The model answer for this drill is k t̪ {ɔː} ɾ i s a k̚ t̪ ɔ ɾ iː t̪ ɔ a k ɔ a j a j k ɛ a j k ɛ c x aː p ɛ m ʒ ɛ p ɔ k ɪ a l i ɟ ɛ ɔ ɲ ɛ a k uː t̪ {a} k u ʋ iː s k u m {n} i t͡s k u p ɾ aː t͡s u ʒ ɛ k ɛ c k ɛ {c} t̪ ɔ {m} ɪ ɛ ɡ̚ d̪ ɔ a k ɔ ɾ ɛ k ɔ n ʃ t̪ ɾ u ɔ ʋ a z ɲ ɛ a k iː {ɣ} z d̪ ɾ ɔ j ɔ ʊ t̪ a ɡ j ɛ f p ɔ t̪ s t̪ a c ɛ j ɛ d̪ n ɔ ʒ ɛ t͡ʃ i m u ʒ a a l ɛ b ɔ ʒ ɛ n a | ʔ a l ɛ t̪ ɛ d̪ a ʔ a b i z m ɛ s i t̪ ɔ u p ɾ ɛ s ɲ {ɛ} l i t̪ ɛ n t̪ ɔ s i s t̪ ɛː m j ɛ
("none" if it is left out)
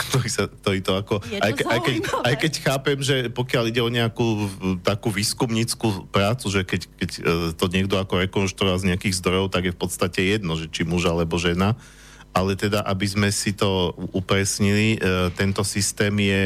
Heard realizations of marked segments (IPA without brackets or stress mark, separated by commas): ɔ, a, ɲ, c, ɲ, ɣ, i